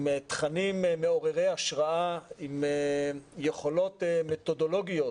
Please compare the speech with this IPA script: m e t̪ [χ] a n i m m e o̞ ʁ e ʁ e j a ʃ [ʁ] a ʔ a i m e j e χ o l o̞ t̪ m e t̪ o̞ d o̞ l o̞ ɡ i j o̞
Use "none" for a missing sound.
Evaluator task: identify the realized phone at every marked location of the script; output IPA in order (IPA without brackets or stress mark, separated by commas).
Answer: χ, ʁ